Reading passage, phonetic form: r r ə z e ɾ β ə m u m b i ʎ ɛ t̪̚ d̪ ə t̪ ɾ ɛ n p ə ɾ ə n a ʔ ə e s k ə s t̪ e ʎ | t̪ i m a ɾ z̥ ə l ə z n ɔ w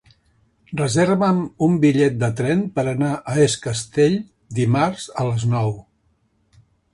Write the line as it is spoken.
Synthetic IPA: r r ə z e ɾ β ə m u m b i ʎ ɛ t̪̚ d̪ ə t̪ ɾ ɛ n p ə ɾ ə n a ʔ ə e s k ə s t̪ e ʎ | d̪ i m a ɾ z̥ ə l ə z n ɔ w

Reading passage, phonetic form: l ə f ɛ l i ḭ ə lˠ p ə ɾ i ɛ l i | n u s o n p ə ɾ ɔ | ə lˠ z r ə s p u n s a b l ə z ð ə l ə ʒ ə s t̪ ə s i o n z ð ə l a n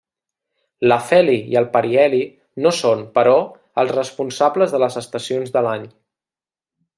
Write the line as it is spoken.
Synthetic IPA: l ə f ɛ l i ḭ ə lˠ p ə ɾ i ɛ l i | n o s o n p ə ɾ ɔ | ə lˠ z r ə s p u n s a b l ə z ð ə l ə z ə s t̪ ə s i o n z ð ə l a ɲ

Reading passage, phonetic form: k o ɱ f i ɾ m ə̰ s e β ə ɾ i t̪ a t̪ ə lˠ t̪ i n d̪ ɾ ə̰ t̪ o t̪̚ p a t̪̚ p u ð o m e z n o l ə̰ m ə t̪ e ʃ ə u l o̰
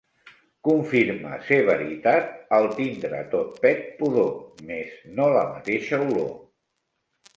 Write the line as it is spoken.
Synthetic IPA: k u ɱ f i ɾ m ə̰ s e β ə ɾ i t̪ a t̪ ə lˠ t̪ i n d̪ ɾ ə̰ t̪ o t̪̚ p ɛ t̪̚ p u ð o m e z n o l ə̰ m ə t̪ e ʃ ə u l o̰

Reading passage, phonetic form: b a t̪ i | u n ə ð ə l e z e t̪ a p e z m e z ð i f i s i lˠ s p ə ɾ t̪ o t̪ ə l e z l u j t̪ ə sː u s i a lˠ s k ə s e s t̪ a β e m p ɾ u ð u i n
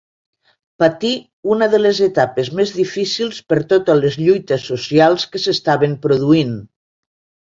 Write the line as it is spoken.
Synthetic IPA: p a t̪ i | u n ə ð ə l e z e t̪ a p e z m e z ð i f i s i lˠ s p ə ɾ t̪ o t̪ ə l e z ʎ u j t̪ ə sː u s i a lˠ s k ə s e s t̪ a β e m p ɾ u ð u i n

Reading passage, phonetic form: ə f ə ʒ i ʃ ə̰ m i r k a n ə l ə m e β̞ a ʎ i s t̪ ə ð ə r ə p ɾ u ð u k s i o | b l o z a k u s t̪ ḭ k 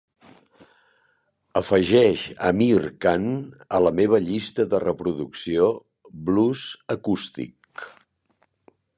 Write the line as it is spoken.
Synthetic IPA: ə f ə ʒ ɛ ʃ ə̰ m i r k a n ə l ə m e β̞ ə ʎ i s t̪ ə ð ə r ə p ɾ u ð u k s i o | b l u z ə k u s t̪ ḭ k

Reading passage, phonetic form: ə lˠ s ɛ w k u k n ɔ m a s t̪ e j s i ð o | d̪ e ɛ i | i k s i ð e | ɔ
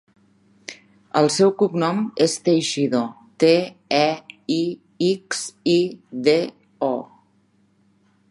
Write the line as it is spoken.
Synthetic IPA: ə lˠ s ɛ w k u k n ɔ m e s t̪ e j ʃ i ð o | t̪ e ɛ i | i k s i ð e | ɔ

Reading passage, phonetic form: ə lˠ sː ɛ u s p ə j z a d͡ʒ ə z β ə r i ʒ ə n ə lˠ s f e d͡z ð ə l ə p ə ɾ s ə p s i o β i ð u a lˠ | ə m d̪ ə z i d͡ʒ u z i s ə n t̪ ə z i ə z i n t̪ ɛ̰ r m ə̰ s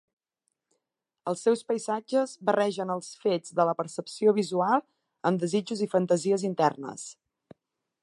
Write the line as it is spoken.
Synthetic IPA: ə lˠ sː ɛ w s p ə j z a d͡ʒ ə z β ə r ɛ ʒ ə n ə lˠ s f e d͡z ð ə l ə p ə ɾ s ə p s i o β i z u a lˠ | ə m d̪ ə z i d͡ʒ u z i f ə n t̪ ə z i ə z i n t̪ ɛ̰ r n ə̰ s

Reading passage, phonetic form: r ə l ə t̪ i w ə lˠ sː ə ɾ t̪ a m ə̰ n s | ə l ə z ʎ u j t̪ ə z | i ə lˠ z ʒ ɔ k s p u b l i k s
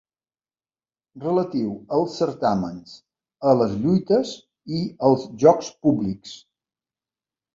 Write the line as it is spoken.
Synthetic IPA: r ə l ə t̪ i w ə lˠ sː ə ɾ t̪ a m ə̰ n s | ə l ə z ʎ u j t̪ ə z | i ə lˠ z ʒ ɔ k s p u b l i k s

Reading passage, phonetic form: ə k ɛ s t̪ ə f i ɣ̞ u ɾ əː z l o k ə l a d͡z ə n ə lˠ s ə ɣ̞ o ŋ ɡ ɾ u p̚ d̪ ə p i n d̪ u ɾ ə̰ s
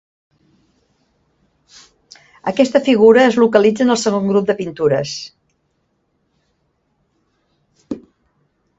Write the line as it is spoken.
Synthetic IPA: ə k ɛ s t̪ ə f i ɣ̞ u ɾ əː z l u k ə l i d͡z ə n ə lˠ s ə ɣ̞ o ŋ ɡ ɾ u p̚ d̪ ə p i n t̪ u ɾ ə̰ s

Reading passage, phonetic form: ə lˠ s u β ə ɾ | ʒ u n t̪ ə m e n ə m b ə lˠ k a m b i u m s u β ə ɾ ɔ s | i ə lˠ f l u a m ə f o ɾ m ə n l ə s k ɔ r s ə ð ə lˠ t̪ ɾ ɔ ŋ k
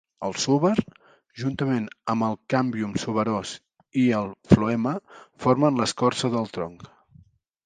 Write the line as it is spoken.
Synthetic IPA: ə lˠ s u β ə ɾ | ʒ u n t̪ ə m e n ə m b ə lˠ k a m b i u m s u β ə ɾ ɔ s | i ə lˠ f l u ɛ m ə f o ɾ m ə n l ə s k ɔ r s ə ð ə lˠ t̪ ɾ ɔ ŋ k

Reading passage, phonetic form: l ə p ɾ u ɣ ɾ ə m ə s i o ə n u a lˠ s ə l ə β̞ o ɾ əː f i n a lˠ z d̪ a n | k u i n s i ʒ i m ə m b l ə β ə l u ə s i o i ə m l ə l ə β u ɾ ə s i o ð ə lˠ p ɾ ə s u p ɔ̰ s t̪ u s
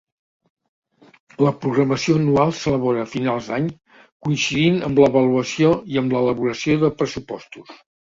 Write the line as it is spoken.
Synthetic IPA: l ə p ɾ u ɣ ɾ ə m ə s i o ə n u a lˠ s ə l ə β̞ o ɾ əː f i n a lˠ z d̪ a ɲ | k u i n s i ð i n ə m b l ə β ə l u ə s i o i ə m l ə l ə β u ɾ ə s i o ð ə p ɾ ə s u p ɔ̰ s t̪ u s

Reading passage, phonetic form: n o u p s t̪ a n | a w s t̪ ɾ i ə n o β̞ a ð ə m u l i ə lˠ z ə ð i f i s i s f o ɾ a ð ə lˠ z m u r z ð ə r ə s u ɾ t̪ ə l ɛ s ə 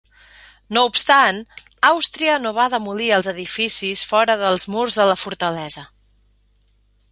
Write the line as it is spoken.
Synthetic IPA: n o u p s t̪ a n | a w s t̪ ɾ i ə n o β̞ a ð ə m u l i ə lˠ z ə ð i f i s i s f ɔ ɾ ə ð ə lˠ z m u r z ð ə l ə f u ɾ t̪ ə l ɛ z ə

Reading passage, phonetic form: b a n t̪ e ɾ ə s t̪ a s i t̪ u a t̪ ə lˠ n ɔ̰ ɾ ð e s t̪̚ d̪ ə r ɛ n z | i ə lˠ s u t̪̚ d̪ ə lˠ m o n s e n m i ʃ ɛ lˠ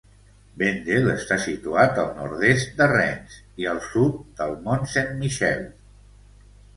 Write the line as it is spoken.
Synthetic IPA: b e n d̪ e l ə s t̪ a s i t̪ u a t̪ ə lˠ n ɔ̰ ɾ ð e s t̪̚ d̪ ə r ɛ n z | i ə lˠ s u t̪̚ d̪ ə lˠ m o n s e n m i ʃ ɛ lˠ

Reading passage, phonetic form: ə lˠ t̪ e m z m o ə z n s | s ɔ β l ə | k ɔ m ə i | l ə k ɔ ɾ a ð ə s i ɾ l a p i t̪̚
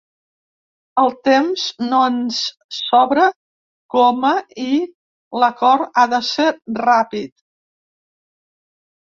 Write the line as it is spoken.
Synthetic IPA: ə lˠ t̪ e m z n o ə n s | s ɔ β ɾ ə | k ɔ m ə i | l ə k ɔ ɾ a ð ə s e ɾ r a p i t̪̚

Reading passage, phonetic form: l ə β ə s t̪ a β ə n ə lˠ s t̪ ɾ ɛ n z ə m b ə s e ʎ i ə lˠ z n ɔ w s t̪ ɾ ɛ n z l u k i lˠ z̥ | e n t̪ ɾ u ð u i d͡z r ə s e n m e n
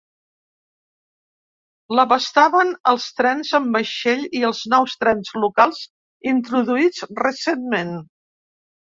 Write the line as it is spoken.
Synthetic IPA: l ə β ə s t̪ a β ə n ə lˠ s t̪ ɾ ɛ n z ə m b ə ʃ e ʎ i ə lˠ z n ɔ w s t̪ ɾ ɛ n z l u k a lˠ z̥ | i n t̪ ɾ u ð u i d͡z r ə s e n m e n

